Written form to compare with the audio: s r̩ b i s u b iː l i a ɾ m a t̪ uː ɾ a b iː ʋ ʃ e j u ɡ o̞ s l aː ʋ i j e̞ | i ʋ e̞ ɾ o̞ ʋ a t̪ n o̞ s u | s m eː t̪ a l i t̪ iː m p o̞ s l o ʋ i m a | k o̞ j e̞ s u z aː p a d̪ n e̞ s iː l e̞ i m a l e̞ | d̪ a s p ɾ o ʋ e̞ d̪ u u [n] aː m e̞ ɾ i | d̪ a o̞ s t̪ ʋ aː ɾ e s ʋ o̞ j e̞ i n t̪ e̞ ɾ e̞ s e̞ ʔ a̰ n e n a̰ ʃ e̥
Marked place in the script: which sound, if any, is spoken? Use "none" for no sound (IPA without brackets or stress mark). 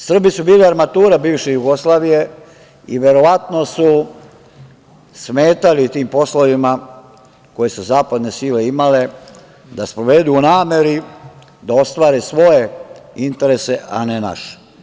n